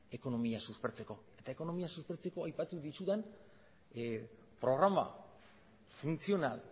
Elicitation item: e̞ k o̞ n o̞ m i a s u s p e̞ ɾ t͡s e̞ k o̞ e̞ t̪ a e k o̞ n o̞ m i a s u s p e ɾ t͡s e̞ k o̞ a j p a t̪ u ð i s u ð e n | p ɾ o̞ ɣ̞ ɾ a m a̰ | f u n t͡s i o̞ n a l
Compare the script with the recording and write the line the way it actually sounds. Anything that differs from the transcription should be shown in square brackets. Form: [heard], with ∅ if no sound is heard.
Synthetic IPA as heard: e̞ k o̞ n o̞ m i a s u s p e̞ ɾ t͡s e̞ k o̞ e̞ t̪ a e k o̞ n o̞ m i a s u s p e ɾ t͡s e̞ k o̞ a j p a t̪ u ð i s u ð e n | p ɾ o̞ ɣ̞ ɾ a m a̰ | f u n t͡s i o̞ n a l